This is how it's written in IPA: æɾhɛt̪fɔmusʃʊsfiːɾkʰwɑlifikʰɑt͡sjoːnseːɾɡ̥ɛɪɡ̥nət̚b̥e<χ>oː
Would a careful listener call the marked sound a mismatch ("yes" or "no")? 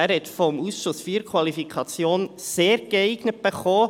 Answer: no